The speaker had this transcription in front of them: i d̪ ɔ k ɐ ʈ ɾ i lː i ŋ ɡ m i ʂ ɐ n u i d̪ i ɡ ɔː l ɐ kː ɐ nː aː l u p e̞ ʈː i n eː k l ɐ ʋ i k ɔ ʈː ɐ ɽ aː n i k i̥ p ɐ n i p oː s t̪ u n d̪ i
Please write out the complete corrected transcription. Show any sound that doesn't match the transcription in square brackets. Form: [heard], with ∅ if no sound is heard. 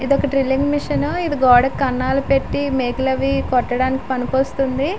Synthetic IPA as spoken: i d̪ ɔ k ɐ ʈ ɾ i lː i ŋ ɡ m i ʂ ɐ n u i d̪ i ɡ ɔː [ɽ] ɐ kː ɐ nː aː l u p e̞ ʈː i [m] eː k l ɐ ʋ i k ɔ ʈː ɐ ɽ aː n i k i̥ p ɐ n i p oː s t̪ u n d̪ i